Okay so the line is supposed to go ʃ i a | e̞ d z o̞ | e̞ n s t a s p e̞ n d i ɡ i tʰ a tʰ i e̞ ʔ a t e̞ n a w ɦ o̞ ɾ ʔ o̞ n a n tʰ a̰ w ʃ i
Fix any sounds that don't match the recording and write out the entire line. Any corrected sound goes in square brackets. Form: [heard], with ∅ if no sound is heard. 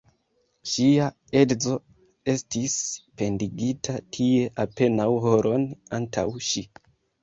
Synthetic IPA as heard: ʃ i a | e̞ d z o̞ | e̞ [∅] s t [i] s p e̞ n d i ɡ i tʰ a tʰ i e̞ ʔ a [p] e̞ n a w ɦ o̞ ɾ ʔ o̞ n a n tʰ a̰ w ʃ i